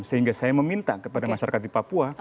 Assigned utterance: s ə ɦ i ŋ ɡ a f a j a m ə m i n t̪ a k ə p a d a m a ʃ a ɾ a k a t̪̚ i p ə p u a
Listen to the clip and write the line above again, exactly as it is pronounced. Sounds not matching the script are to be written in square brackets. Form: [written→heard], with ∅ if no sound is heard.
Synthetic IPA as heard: s ə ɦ i ŋ ɡ a [f→s] a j a m ə m i n t̪ a k ə p a d a m a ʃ a ɾ a k a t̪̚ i p [ə→a] p u a